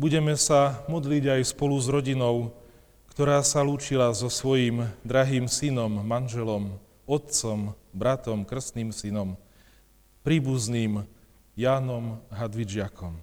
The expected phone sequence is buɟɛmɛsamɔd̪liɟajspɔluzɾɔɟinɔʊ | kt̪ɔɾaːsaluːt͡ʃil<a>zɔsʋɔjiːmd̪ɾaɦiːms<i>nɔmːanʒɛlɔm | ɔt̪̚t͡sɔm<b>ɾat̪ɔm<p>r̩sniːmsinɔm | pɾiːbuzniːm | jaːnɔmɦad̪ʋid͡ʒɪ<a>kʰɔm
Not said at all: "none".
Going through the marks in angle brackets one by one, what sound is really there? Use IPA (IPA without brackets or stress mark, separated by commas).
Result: a, i, b, k, a